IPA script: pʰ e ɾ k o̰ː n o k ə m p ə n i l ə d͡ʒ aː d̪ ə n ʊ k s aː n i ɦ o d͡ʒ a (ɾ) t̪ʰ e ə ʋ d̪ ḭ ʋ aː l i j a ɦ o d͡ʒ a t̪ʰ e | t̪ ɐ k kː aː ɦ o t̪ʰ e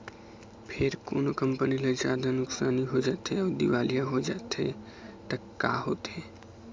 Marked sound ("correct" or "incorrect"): incorrect